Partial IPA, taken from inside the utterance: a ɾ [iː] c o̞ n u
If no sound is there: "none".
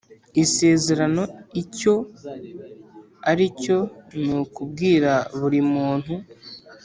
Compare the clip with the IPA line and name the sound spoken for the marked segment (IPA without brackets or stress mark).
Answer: i